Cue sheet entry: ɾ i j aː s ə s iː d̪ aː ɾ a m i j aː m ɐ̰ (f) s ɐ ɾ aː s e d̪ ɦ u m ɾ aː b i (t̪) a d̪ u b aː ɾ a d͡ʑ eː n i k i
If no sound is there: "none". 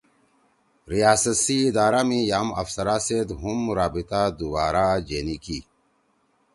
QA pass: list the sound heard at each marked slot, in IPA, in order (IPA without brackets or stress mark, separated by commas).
f, t̪